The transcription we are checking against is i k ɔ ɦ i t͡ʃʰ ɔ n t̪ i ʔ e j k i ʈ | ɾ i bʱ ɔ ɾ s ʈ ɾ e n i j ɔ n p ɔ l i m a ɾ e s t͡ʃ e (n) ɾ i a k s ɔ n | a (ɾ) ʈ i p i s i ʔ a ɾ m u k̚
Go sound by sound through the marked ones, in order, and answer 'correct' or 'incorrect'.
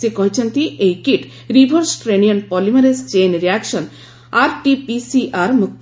correct, correct

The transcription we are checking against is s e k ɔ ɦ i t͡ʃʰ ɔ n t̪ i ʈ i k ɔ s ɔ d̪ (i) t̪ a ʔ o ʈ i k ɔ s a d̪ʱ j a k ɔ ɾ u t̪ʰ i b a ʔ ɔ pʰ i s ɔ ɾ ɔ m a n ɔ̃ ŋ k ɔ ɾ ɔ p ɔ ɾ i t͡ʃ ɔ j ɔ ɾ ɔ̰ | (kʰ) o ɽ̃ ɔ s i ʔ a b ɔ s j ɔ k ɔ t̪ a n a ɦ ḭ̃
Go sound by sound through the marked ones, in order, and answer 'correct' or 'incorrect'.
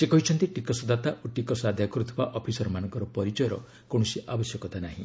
incorrect, incorrect

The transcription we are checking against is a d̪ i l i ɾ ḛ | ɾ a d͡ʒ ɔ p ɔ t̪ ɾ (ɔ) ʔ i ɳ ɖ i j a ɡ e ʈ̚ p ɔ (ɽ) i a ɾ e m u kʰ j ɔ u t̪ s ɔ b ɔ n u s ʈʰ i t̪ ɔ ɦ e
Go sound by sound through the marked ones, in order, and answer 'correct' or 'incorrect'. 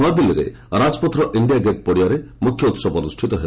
correct, correct

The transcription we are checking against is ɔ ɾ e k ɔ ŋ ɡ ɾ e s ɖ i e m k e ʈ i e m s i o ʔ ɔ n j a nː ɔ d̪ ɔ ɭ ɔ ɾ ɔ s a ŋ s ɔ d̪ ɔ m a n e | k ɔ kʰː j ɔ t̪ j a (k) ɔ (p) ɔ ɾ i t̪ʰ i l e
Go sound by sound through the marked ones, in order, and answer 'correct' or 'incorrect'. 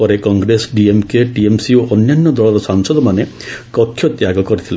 incorrect, incorrect

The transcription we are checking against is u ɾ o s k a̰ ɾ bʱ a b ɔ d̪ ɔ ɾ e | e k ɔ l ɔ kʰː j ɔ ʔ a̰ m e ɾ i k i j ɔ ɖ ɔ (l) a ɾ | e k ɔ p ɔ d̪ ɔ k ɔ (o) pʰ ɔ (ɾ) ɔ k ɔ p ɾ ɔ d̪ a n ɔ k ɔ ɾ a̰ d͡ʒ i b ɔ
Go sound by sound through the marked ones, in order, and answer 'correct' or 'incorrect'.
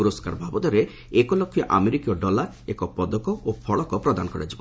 correct, correct, incorrect

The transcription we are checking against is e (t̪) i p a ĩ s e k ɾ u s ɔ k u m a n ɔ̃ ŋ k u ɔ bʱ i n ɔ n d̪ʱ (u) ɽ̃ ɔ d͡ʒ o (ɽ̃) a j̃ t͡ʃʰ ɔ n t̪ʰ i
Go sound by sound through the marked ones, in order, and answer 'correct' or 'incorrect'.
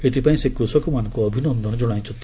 correct, incorrect, correct

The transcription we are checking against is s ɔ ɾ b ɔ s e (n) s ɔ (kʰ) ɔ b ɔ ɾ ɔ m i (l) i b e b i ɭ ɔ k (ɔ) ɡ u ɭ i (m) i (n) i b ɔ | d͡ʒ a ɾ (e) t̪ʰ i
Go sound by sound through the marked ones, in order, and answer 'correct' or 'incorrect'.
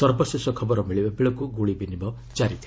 incorrect, correct, incorrect, incorrect, incorrect, correct, incorrect

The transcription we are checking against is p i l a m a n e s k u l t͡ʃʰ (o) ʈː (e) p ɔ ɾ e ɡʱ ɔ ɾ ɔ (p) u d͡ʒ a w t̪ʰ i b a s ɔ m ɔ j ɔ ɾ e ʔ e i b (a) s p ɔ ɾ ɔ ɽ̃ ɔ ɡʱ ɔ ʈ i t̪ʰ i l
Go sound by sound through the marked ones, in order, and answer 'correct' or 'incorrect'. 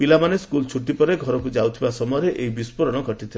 incorrect, incorrect, incorrect, incorrect

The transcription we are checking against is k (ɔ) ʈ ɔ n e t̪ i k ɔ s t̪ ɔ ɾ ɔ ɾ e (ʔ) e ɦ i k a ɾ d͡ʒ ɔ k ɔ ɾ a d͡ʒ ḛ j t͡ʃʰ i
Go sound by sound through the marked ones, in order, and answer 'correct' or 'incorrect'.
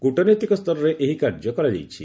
incorrect, correct

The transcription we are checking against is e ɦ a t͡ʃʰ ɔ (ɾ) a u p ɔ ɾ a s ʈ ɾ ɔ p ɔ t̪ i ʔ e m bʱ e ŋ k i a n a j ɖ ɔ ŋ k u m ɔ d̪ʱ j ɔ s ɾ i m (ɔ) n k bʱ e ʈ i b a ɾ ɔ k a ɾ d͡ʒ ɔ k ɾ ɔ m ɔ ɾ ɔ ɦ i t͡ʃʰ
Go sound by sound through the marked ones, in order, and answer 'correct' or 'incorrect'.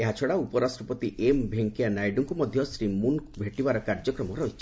incorrect, incorrect

